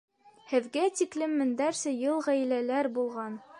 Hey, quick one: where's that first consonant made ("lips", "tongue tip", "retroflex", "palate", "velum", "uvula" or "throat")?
throat